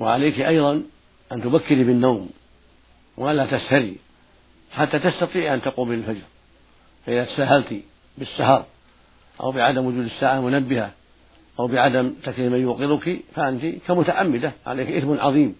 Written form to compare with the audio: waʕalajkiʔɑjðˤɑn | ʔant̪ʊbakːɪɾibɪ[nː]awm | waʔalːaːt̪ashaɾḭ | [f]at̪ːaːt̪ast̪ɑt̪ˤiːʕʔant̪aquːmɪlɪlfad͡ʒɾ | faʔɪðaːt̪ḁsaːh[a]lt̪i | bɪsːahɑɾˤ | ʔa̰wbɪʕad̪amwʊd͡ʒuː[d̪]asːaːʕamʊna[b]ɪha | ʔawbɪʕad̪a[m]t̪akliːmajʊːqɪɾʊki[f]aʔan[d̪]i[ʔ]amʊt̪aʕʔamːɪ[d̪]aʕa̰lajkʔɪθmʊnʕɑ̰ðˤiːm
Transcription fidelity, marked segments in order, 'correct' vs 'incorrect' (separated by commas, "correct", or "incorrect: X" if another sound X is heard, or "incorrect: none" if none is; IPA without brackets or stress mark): correct, incorrect: ħ, correct, correct, incorrect: bː, correct, correct, incorrect: t̪, incorrect: k, correct